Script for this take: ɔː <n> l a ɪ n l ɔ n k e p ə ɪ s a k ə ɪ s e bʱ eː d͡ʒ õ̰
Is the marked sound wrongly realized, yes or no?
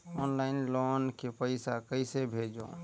no